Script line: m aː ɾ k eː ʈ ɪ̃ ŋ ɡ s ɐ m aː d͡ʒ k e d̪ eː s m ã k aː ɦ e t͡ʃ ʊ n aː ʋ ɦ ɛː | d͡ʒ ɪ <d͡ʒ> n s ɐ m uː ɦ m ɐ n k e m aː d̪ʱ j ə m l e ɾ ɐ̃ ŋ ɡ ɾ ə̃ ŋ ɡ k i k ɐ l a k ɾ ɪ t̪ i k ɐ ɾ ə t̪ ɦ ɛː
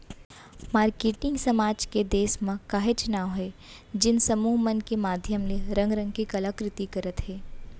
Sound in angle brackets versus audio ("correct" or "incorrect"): incorrect